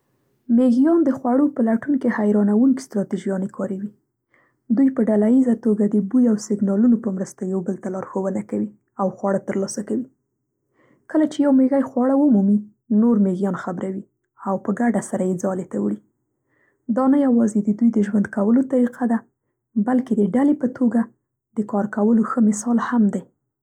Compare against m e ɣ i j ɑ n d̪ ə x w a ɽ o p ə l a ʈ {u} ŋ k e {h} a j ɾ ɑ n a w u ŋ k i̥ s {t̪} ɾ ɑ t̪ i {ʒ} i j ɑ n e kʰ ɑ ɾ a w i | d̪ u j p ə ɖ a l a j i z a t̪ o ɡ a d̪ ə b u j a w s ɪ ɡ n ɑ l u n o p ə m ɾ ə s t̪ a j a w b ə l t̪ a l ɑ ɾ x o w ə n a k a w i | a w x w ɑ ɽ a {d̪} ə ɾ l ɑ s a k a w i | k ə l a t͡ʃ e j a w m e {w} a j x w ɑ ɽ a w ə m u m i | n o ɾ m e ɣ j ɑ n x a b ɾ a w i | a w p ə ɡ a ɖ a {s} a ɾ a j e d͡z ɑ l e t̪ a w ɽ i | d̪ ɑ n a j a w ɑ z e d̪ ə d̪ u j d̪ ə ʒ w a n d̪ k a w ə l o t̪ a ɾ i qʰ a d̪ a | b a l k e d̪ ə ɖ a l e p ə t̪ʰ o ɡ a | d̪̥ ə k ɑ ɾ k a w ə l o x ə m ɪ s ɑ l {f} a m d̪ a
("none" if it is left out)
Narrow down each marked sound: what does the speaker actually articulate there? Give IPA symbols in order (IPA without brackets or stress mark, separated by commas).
u, h, t̪, ʒ, t̪, ɣ, s, h